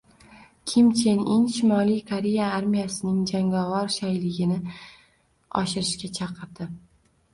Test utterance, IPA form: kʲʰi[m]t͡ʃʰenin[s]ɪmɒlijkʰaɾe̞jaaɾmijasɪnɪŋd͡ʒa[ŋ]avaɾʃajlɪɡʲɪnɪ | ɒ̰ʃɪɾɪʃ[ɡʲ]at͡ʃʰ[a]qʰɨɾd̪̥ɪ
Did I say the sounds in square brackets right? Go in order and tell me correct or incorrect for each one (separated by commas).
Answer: correct, incorrect, correct, incorrect, incorrect